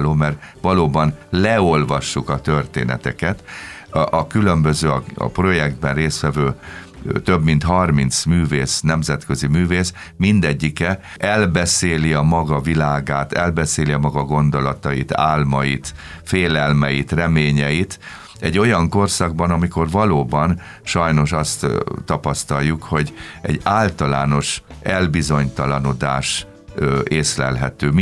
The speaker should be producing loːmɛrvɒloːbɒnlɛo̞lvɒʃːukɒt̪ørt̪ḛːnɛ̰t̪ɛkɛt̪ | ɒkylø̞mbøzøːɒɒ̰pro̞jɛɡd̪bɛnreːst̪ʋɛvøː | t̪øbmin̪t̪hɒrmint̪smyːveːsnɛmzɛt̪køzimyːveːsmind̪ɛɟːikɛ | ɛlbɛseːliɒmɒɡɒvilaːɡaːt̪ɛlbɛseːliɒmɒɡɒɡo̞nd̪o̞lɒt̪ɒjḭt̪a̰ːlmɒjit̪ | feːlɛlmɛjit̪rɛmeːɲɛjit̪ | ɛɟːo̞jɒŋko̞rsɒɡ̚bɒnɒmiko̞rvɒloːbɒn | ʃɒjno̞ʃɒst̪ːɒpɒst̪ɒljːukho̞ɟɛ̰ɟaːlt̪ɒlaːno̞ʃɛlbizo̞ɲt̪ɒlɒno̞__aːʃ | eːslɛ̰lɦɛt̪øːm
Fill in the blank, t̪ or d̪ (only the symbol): d̪